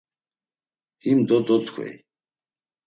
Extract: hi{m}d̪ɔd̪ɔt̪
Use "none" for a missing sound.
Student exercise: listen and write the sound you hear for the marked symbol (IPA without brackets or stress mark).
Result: m